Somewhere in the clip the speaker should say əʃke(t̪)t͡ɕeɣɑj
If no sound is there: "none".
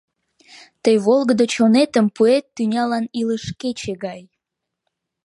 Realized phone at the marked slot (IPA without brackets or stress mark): none